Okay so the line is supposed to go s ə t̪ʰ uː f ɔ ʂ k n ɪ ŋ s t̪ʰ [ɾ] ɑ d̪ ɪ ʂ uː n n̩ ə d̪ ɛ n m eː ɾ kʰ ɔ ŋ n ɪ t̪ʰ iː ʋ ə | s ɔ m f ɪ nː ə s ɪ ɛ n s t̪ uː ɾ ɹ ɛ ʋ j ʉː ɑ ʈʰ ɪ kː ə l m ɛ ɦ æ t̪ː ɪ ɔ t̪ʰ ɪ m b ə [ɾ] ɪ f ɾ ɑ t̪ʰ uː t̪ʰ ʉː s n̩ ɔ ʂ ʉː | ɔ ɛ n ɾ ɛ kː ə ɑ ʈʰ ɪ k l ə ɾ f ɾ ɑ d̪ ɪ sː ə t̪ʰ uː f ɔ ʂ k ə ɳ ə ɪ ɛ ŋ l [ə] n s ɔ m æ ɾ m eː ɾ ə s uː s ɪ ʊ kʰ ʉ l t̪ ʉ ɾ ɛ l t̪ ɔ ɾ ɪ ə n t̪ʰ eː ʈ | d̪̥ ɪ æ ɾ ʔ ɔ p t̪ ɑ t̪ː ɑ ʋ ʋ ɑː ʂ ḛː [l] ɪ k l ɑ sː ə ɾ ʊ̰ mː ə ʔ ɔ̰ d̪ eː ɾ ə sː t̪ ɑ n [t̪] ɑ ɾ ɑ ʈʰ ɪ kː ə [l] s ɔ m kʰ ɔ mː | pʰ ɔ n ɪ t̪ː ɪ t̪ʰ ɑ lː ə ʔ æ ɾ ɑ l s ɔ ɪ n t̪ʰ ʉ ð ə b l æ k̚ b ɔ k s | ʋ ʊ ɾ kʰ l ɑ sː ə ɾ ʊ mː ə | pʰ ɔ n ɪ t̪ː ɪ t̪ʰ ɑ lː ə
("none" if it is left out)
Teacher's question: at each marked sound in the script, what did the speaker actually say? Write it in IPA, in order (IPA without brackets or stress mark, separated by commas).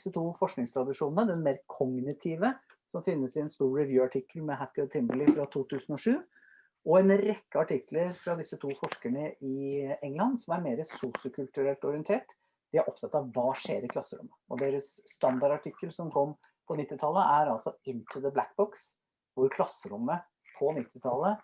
ɾ, l, ɑ, ɾ, d̪, l